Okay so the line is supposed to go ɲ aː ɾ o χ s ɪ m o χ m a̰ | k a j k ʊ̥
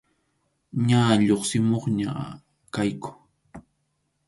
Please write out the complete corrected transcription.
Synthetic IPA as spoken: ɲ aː ʎ o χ s ɪ m o χ ɲ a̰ | k a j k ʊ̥